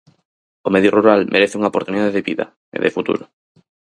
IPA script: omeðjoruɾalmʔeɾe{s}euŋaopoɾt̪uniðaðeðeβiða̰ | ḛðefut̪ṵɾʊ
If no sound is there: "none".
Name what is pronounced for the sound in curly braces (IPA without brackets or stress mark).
θ